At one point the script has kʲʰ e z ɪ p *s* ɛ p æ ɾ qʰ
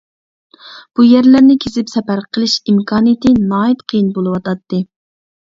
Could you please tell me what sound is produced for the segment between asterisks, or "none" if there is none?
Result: s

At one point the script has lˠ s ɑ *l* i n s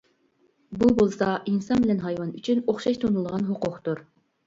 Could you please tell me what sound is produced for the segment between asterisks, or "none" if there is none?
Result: none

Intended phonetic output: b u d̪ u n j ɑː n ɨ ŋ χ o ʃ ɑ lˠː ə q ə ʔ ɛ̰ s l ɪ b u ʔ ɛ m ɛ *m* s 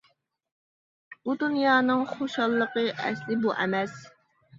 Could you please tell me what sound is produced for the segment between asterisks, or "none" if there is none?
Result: none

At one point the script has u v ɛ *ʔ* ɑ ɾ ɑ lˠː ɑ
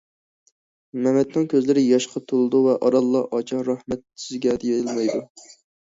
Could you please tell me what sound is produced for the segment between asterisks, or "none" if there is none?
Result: ʔ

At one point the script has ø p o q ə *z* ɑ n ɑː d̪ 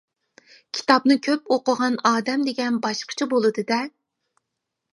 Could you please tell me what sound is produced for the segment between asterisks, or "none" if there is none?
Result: ʁ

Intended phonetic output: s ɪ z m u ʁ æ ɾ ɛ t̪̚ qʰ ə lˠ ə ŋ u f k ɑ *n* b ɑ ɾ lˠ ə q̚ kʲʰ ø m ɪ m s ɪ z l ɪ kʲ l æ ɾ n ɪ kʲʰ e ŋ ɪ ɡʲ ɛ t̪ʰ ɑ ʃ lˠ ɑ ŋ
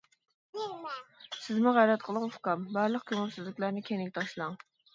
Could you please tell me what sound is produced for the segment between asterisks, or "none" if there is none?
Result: m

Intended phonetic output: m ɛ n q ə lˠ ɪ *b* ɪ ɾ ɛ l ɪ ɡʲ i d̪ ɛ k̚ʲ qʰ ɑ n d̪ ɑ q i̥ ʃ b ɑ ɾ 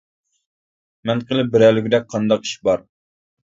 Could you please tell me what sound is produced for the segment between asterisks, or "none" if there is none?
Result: b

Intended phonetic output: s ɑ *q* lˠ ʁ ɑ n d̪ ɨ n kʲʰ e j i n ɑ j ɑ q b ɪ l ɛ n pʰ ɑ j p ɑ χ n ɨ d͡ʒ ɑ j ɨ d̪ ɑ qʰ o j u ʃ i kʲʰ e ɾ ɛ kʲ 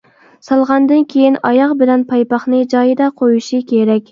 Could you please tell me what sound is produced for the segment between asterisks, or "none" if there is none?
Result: none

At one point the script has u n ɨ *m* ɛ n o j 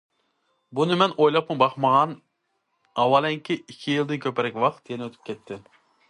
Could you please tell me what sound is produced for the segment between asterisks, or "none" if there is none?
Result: m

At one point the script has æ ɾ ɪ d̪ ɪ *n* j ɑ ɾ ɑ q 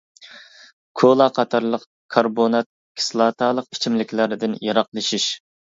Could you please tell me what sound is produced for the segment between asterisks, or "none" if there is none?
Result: n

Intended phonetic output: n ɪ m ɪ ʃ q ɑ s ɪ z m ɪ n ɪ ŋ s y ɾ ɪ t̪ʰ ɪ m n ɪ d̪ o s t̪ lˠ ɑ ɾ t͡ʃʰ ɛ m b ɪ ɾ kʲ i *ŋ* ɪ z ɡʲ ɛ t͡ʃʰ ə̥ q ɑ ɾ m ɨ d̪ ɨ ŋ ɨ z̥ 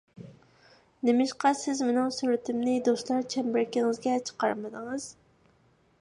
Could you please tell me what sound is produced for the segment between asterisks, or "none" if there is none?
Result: ŋ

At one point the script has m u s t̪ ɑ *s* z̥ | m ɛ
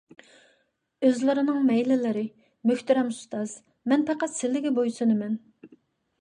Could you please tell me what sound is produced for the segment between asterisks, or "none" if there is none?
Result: none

